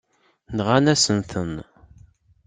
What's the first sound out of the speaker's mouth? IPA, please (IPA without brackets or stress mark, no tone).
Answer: n